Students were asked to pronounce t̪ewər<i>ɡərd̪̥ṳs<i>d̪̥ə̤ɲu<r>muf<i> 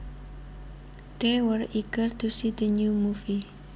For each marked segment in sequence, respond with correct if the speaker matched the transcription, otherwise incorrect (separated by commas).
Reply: correct, correct, incorrect, correct